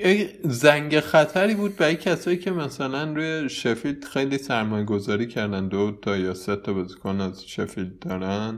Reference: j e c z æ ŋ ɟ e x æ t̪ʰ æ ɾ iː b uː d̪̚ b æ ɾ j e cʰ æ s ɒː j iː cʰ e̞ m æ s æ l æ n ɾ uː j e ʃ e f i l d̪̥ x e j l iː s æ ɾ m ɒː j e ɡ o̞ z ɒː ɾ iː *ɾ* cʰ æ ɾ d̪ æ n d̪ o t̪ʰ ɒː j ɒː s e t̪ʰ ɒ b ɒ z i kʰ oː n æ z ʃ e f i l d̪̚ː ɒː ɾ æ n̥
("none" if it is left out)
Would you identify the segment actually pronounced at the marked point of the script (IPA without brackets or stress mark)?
none